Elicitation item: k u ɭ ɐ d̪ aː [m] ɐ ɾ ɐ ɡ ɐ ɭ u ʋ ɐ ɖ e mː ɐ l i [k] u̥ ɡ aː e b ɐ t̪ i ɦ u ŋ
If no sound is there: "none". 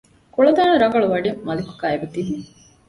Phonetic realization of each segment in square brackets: n, k

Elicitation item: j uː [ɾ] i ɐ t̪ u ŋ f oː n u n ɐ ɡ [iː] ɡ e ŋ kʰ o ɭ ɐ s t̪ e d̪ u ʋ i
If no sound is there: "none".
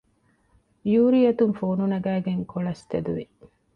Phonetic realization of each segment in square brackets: ɾ, æː

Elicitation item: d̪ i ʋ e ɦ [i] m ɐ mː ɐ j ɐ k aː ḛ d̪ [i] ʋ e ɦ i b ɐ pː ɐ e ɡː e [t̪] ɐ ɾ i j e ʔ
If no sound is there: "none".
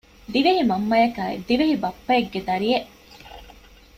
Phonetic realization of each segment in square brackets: i, i, d̪

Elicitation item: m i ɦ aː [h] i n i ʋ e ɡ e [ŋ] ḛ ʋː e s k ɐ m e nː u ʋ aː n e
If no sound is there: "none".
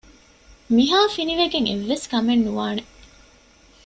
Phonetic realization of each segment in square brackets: f, ŋ

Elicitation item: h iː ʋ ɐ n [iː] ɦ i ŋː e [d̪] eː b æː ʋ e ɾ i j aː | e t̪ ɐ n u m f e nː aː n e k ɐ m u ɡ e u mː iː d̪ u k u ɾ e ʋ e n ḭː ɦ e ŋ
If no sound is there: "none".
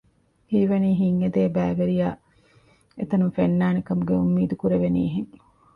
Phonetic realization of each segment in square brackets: iː, d̪

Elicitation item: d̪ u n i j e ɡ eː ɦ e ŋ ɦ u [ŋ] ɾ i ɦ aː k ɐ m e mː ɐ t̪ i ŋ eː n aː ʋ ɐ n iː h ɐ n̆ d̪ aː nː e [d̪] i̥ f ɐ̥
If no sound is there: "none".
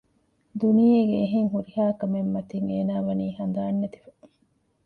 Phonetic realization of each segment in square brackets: none, t̪

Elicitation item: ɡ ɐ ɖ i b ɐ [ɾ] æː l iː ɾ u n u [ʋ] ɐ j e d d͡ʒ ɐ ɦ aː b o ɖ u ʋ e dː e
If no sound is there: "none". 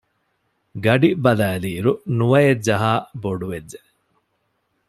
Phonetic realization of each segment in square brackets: l, ʋ

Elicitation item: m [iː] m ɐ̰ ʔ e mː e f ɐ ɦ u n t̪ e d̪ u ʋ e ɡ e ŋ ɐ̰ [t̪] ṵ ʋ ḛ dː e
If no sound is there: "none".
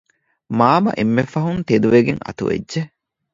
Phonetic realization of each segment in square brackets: aː, t̪

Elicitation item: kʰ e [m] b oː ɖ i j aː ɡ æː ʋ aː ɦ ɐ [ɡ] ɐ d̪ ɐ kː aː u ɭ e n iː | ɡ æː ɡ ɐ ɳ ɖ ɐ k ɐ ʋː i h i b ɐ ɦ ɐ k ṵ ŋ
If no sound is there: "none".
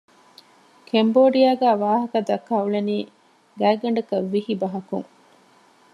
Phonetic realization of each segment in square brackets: m, k

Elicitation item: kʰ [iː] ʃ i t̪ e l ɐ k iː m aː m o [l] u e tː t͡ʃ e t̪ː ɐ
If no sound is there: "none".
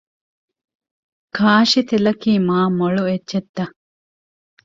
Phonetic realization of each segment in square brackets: aː, ɭ

